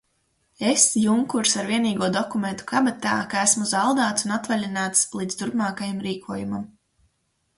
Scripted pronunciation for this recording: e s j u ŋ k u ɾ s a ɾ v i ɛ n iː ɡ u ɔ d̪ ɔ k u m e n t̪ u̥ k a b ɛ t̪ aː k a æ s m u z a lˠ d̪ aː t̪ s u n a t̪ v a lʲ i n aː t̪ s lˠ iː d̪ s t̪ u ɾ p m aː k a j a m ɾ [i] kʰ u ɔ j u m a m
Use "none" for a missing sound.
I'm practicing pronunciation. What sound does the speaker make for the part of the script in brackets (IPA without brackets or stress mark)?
iː